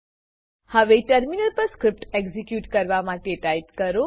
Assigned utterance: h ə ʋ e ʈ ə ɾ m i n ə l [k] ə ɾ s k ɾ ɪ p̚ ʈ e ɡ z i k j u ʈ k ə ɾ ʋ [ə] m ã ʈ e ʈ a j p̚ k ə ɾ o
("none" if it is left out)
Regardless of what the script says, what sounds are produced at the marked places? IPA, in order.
p, a

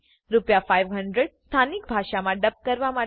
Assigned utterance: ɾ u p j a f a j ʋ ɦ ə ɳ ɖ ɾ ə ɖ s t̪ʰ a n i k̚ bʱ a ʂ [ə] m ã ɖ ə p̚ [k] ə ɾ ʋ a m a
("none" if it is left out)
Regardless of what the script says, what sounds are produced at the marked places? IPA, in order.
a, k

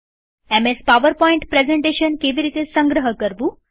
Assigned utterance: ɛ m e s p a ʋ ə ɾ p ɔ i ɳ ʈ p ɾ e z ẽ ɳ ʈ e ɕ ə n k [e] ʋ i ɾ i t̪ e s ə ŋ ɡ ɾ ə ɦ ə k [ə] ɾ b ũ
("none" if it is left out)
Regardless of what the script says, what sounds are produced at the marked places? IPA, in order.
e, ə

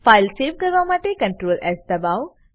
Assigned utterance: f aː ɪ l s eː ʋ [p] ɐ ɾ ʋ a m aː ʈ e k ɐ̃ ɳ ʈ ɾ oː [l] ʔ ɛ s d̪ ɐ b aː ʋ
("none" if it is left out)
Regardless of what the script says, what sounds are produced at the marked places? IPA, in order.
k, l

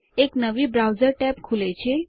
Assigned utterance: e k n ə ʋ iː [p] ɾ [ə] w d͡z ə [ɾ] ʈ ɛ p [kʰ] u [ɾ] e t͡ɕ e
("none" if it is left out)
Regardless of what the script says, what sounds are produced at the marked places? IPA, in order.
b, a, ɾ, kʰ, l

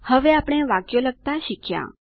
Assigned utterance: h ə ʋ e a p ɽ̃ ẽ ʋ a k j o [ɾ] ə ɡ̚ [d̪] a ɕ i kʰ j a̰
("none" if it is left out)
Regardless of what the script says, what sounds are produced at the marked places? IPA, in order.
l, t̪

